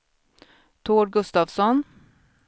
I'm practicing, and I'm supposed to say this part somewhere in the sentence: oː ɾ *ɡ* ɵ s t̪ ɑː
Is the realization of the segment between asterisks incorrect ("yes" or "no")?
no